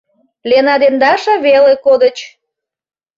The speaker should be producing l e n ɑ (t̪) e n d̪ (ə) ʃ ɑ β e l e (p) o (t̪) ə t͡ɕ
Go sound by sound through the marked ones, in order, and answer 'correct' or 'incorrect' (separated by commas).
incorrect, incorrect, incorrect, incorrect